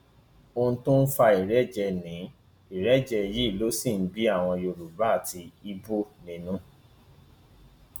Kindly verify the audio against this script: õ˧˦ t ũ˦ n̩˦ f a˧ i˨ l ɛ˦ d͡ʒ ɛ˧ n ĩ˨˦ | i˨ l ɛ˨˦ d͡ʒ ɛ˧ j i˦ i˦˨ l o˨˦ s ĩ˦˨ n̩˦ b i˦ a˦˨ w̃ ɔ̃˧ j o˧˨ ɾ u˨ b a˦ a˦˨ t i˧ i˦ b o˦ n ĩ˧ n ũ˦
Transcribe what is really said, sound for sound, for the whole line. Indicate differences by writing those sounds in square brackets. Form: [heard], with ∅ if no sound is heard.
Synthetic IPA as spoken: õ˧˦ t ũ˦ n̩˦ f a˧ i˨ [ɾ] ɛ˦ d͡ʒ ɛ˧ n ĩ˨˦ | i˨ [ɾ] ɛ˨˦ d͡ʒ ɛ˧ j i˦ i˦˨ l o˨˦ s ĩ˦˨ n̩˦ b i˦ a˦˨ w̃ ɔ̃˧ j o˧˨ ɾ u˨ b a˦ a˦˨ t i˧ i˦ b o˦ n ĩ˧ n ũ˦

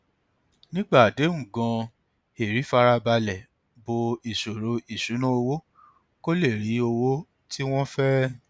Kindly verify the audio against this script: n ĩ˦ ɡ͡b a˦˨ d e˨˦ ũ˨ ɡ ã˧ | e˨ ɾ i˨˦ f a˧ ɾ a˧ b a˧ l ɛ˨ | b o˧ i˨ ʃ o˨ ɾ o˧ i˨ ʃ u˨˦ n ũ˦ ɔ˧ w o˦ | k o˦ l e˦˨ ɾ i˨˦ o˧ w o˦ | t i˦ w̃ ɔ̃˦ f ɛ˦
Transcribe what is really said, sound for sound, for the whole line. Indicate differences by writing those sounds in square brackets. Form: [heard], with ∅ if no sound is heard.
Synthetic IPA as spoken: n ĩ˦ ɡ͡b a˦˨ d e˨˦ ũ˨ ɡ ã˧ | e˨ ɾ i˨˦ f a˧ ɾ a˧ b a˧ l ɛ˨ | b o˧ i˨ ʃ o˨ ɾ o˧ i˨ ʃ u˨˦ n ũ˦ [o˧] w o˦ | k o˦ l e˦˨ ɾ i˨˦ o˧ w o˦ | t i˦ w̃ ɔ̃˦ f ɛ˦

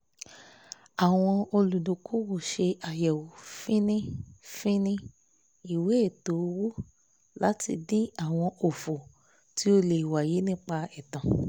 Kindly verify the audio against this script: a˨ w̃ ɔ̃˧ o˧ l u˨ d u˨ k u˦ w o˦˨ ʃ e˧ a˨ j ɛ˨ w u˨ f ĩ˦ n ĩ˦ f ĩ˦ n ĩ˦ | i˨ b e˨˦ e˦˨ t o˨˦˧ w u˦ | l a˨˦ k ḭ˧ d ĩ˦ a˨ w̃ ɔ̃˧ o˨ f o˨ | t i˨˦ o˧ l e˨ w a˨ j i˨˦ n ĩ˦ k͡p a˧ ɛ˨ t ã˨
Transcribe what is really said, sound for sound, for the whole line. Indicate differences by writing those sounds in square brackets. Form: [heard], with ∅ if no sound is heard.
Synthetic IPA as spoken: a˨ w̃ ɔ̃˧ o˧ l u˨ d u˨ k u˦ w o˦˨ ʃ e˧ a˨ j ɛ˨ w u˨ f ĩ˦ n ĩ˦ f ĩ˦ n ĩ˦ | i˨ [w] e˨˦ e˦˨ t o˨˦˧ w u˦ | l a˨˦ [t] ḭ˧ d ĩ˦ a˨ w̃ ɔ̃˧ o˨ f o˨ | t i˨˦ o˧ l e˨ w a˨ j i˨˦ n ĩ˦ k͡p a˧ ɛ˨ t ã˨

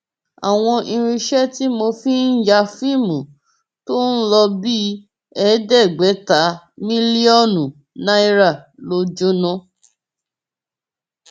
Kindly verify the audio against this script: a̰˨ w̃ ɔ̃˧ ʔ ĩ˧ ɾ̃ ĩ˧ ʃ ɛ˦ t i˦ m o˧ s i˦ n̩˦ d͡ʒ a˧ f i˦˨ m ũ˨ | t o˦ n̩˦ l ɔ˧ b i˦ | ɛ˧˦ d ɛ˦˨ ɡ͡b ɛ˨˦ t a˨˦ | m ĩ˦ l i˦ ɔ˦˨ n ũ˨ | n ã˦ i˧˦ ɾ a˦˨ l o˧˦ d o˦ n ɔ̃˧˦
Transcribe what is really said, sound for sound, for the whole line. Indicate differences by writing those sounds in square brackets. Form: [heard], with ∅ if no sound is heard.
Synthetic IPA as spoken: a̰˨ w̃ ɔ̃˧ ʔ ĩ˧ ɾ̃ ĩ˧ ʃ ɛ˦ t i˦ m o˧ [f] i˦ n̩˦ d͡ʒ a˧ f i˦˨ m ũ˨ | t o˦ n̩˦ l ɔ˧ b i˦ | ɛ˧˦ d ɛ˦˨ ɡ͡b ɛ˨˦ t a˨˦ | m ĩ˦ l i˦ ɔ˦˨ n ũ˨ | n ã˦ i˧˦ ɾ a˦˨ l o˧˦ [d͡ʒ] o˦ n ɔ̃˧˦

